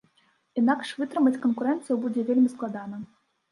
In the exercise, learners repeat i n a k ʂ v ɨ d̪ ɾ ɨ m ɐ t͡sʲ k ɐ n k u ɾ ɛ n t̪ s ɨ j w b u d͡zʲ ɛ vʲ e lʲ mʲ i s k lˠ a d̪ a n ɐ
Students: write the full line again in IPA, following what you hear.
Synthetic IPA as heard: i n a k ʂ v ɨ t̪ ɾ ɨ m ɐ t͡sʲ k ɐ n k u ɾ ɛ n t̪ s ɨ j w b u d͡zʲ ɛ vʲ e lʲ mʲ i s k lˠ a d̪ a n ɐ